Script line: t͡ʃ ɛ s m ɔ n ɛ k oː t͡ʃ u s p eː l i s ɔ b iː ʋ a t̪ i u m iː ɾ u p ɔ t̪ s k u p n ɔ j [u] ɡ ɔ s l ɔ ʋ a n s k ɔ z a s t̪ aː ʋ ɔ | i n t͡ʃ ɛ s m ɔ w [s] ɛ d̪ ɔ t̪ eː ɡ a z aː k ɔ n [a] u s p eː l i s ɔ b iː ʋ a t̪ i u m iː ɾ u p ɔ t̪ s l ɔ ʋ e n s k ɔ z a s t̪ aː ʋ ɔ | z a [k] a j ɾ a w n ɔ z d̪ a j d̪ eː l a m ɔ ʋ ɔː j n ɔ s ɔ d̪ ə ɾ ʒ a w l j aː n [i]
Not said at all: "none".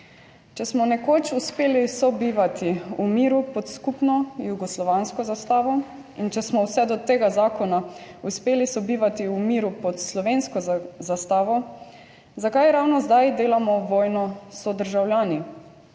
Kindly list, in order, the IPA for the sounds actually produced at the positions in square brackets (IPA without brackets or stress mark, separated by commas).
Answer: u, s, a, k, i